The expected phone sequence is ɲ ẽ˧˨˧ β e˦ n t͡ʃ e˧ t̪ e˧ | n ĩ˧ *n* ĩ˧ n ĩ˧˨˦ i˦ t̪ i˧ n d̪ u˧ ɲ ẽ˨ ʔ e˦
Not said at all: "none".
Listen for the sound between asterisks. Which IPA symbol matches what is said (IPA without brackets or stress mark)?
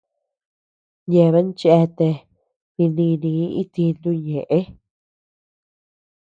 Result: n